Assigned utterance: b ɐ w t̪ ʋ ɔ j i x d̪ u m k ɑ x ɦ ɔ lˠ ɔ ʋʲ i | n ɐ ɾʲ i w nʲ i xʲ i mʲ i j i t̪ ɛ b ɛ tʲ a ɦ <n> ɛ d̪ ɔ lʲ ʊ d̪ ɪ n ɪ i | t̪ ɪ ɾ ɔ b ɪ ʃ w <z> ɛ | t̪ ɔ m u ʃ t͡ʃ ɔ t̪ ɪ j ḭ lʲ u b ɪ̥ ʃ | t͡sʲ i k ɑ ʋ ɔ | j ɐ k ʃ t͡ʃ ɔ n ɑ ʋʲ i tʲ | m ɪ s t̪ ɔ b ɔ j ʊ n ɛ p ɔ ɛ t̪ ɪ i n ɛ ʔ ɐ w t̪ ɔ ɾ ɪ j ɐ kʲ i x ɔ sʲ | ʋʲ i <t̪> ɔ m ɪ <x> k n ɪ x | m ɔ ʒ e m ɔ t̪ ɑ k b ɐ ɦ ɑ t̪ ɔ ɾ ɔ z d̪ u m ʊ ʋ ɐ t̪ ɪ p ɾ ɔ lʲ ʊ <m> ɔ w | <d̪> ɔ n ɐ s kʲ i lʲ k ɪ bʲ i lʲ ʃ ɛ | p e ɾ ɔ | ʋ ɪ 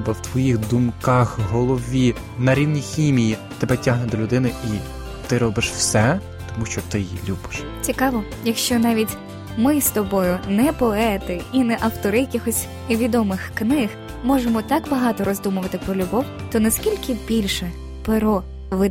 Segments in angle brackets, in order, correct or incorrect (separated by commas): correct, incorrect, incorrect, correct, incorrect, incorrect